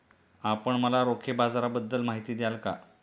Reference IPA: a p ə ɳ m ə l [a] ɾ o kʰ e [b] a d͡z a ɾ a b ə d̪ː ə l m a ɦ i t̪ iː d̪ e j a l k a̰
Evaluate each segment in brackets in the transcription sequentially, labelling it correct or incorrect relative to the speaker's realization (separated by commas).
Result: correct, correct